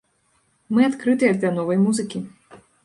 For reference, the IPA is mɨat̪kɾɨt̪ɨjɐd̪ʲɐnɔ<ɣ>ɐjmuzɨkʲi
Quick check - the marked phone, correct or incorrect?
incorrect